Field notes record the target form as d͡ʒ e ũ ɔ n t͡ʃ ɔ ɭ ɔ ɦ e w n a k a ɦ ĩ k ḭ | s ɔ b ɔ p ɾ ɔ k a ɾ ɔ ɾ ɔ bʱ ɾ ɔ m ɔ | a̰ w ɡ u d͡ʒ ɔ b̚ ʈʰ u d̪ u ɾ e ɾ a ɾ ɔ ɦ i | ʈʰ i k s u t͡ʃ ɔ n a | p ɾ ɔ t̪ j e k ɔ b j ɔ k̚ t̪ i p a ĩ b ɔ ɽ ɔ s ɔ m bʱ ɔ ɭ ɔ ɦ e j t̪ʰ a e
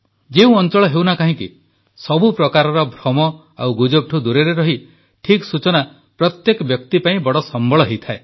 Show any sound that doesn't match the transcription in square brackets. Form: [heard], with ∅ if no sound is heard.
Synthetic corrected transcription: d͡ʒ e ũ ɔ n t͡ʃ ɔ ɭ ɔ ɦ e w n a k a ɦ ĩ k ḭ | s ɔ b [u] p ɾ ɔ k a ɾ ɔ ɾ ɔ bʱ ɾ ɔ m ɔ | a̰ w ɡ u d͡ʒ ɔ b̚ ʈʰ u d̪ u ɾ e ɾ [e] ɾ ɔ ɦ i | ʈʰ i k s u t͡ʃ ɔ n a | p ɾ ɔ t̪ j e k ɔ b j ɔ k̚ t̪ i p a ĩ b ɔ ɽ ɔ s ɔ m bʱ ɔ ɭ ɔ ɦ e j t̪ʰ a e